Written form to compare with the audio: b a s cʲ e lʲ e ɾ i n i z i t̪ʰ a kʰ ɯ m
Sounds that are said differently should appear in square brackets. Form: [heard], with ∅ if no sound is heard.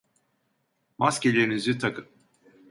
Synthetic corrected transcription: [m] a s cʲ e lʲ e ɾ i n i z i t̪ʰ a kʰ ɯ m